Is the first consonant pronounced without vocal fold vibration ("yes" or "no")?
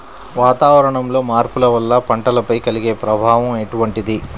no